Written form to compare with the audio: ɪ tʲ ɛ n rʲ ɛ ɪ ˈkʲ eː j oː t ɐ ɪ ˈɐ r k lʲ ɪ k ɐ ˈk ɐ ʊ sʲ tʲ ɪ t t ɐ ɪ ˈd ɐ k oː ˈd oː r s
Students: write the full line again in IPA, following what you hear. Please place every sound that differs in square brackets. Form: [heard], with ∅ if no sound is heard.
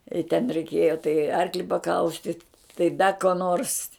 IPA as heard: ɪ tʲ ɛ n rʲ ɛ ɪ ˈkʲ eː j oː t ɐ ɪ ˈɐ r k lʲ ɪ [p] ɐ ˈk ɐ ʊ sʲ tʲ ɪ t t ɐ ɪ ˈd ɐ k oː [ˈn] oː r s

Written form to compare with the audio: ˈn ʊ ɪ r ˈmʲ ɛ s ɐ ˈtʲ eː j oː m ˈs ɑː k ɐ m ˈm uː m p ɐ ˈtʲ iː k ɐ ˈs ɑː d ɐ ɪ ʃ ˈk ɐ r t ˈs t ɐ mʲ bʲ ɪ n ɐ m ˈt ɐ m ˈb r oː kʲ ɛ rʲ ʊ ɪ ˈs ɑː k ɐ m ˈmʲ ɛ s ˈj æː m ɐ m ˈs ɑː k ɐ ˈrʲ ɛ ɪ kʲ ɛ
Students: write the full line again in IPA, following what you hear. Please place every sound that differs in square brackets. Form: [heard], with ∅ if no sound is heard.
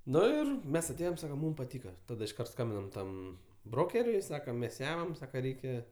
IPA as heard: ˈn ʊ ɪ r ˈmʲ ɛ s ɐ ˈtʲ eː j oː m ˈs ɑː k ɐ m ˈm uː m p ɐ ˈtʲ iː k ɐ [ˈt] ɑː d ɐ ɪ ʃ ˈk ɐ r t ˈs [k] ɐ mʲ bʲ ɪ n ɐ m ˈt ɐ m ˈb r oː kʲ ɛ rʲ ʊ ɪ ˈs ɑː k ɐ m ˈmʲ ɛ s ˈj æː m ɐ m ˈs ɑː k ɐ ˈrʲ ɛ ɪ kʲ ɛ

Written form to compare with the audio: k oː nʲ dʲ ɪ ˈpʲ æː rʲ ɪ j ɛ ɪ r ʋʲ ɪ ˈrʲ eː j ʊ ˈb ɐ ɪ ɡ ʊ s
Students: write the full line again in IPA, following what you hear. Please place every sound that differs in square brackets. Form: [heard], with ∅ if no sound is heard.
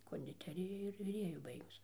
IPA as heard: k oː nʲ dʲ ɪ [ˈtʲ] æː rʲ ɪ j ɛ ɪ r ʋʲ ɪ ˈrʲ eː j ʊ ˈb ɐ ɪ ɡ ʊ s

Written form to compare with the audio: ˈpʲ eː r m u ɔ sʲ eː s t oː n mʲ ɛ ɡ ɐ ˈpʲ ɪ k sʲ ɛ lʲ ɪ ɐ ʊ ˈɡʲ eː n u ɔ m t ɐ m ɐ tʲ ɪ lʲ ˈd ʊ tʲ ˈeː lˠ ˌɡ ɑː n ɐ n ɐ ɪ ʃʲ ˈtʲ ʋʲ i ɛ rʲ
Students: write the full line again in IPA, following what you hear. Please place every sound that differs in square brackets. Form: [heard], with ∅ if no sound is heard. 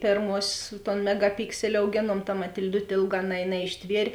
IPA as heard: ˈpʲ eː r m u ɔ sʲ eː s t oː n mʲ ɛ ɡ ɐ ˈpʲ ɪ k sʲ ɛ lʲ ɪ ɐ ʊ ˈɡʲ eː n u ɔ m t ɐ m ɐ tʲ ɪ lʲ ˈd ʊ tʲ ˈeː lˠ ˌɡ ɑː n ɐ n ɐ ɪ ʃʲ ˈtʲ ʋʲ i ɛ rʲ

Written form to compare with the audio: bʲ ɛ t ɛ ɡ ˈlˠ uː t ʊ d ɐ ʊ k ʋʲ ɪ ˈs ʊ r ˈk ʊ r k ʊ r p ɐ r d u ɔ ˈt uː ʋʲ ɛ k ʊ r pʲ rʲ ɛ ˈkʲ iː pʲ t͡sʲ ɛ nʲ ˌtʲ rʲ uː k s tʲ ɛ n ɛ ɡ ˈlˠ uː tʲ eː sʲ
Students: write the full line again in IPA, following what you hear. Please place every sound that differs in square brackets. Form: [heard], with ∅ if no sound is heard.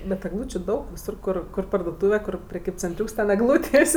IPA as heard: bʲ ɛ t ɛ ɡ ˈlˠ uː [t͡ʃʲ] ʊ d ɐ ʊ k ʋʲ ɪ ˈs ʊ r ˈk ʊ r k ʊ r p ɐ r d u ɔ ˈt uː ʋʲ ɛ k ʊ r pʲ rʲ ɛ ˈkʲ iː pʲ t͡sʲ ɛ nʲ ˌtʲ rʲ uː k s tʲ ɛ n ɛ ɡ ˈlˠ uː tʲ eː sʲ

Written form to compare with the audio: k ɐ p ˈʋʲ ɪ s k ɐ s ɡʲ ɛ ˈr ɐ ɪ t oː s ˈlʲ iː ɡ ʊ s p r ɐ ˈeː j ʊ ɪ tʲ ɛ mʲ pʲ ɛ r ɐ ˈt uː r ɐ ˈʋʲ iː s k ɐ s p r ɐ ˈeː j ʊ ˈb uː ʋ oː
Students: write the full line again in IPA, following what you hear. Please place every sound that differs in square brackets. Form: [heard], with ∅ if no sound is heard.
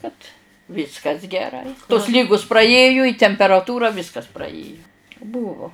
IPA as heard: k ɐ [t] ˈʋʲ ɪ s k ɐ s ɡʲ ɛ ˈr ɐ ɪ t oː s ˈlʲ iː ɡ ʊ s p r ɐ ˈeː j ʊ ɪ tʲ ɛ mʲ pʲ ɛ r ɐ ˈt uː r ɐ ˈʋʲ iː s k ɐ s p r ɐ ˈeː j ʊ ˈb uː ʋ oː

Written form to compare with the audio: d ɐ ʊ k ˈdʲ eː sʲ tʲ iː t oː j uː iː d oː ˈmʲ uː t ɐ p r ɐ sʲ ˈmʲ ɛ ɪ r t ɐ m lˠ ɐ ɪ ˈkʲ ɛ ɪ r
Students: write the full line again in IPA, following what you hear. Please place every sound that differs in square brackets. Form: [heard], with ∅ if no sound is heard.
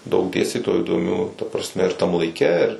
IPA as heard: d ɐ ʊ k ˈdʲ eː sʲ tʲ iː t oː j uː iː d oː ˈmʲ uː t ɐ p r ɐ sʲ ˈmʲ ɛ ɪ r t ɐ m lˠ ɐ ɪ ˈkʲ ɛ ɪ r

